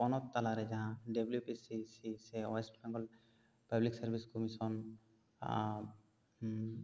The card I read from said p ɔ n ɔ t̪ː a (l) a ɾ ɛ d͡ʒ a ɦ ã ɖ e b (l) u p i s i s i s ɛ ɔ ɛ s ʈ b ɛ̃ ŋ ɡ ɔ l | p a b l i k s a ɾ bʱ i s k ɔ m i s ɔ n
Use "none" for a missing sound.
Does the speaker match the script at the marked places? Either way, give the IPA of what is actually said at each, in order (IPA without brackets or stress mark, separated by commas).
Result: l, l